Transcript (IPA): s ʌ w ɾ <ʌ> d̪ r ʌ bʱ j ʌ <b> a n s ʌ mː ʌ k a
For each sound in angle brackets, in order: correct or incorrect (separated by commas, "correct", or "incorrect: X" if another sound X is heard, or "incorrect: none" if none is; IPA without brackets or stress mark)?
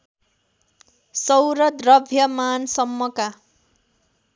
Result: correct, incorrect: m